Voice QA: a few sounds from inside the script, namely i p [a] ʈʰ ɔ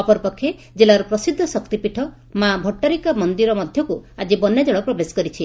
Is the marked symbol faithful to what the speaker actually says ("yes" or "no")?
no